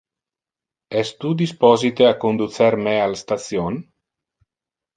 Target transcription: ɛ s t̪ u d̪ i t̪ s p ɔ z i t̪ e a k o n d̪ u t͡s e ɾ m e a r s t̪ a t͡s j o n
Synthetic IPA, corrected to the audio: ɛ s t̪ u d̪ i s p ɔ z i t̪ e a k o n d̪ u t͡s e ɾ m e a l s t̪ a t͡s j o n